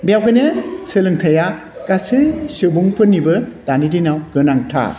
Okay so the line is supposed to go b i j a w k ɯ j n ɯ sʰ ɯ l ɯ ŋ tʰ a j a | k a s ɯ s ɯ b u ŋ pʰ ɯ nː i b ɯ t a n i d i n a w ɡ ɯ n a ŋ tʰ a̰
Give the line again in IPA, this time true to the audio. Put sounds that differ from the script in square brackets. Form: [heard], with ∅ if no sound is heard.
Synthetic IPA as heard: b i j a w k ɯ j n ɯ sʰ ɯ l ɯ ŋ tʰ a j a | k a s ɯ s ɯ b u ŋ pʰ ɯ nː i b ɯ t a n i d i n a w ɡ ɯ n a ŋ tʰ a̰